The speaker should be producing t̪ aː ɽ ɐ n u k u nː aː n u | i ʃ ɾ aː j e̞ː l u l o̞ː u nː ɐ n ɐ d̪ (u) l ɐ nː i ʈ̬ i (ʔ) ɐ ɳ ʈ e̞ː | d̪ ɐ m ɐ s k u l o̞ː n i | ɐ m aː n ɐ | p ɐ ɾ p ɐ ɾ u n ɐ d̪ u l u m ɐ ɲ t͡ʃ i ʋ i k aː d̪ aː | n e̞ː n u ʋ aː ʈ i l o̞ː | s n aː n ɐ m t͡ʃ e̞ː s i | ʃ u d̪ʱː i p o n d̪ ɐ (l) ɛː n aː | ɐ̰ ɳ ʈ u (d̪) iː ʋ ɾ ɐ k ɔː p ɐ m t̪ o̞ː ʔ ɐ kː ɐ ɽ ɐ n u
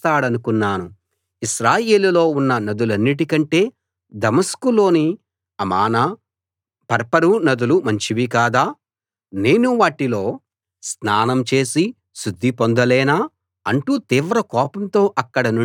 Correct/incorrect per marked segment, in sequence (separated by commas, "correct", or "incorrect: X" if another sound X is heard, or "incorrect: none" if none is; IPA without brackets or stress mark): correct, incorrect: k, correct, incorrect: t̪